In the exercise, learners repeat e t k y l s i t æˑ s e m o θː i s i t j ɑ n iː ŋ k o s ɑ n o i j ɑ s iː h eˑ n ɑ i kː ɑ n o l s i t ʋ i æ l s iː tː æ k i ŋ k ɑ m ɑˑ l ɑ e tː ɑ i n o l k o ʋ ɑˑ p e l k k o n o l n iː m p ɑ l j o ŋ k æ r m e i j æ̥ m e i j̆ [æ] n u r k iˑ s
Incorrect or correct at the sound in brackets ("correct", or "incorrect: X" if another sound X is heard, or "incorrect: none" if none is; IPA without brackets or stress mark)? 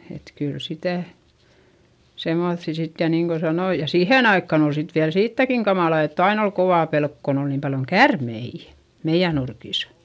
correct